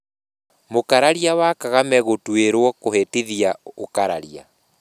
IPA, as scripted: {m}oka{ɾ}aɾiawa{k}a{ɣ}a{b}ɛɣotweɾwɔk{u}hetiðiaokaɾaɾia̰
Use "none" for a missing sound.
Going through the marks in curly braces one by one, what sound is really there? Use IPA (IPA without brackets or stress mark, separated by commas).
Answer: m, ɾ, k, ɣ, m, o